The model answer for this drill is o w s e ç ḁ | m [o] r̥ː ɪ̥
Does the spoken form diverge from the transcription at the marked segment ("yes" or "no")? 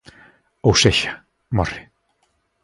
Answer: yes